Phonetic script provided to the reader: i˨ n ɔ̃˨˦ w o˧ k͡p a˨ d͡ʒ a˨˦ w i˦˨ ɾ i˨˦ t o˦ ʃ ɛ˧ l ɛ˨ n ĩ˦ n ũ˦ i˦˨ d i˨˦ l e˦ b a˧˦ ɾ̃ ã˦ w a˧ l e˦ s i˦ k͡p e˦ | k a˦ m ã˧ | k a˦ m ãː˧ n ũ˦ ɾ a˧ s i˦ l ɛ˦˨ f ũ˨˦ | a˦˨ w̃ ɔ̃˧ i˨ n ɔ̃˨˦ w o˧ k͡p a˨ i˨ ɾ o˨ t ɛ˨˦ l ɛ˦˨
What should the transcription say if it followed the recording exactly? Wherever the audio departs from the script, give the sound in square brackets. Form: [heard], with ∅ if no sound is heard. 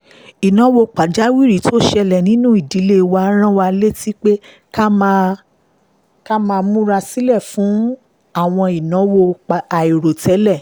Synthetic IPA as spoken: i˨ n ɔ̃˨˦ w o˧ k͡p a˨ d͡ʒ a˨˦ w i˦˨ ɾ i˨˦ t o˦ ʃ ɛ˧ l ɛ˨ n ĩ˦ n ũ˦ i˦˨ d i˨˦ l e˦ [w] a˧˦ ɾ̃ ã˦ w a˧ l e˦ [t] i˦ k͡p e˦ | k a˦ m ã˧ | k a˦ m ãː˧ [m] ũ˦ ɾ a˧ s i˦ l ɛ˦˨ f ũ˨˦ | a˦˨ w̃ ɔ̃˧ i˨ n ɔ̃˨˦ w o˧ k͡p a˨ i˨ ɾ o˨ t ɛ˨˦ l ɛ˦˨